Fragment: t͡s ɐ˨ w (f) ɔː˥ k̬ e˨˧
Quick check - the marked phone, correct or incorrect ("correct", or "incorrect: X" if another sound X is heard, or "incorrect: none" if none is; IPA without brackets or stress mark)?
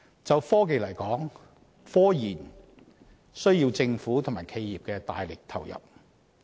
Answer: correct